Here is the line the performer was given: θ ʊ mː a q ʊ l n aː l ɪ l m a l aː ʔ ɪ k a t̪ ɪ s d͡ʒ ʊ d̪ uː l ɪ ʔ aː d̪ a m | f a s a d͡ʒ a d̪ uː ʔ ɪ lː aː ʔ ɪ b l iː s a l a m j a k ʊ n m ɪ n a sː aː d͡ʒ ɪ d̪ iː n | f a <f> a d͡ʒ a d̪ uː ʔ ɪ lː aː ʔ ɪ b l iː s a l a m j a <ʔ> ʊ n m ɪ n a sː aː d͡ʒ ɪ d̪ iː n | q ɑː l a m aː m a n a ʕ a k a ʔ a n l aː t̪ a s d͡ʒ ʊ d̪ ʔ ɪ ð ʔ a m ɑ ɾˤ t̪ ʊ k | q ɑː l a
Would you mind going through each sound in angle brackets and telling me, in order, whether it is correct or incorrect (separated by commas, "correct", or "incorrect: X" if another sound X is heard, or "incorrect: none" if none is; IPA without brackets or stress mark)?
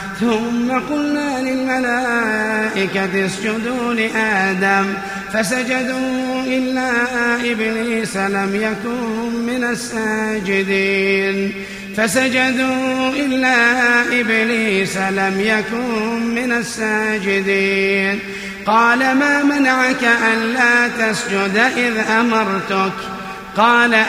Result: incorrect: s, incorrect: k